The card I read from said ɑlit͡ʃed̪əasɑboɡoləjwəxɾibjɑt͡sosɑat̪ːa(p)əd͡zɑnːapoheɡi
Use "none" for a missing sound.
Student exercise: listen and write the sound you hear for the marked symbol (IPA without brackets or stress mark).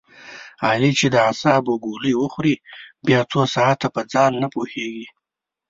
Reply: p